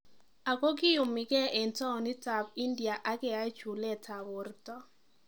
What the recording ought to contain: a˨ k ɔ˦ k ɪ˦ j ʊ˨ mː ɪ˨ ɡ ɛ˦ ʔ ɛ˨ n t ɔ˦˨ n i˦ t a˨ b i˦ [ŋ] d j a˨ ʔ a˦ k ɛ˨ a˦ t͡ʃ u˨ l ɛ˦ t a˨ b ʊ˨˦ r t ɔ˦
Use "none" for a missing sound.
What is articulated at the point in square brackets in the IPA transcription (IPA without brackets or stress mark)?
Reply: n